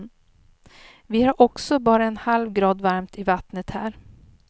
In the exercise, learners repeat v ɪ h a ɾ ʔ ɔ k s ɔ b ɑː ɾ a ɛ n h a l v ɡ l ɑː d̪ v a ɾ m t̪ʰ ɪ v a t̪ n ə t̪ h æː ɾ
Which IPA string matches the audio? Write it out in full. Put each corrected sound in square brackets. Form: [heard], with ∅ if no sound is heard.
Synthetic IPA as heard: v ɪ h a ɾ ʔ ɔ k s ɔ b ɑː ɾ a ɛ n h a l v ɡ [ɾ] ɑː d̪ v a ɾ m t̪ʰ ɪ v a t̪ n ə t̪ h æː ɾ